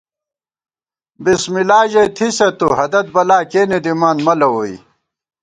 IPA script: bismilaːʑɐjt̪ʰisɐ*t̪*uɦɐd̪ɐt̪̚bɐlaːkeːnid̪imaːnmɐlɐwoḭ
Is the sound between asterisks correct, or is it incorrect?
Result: correct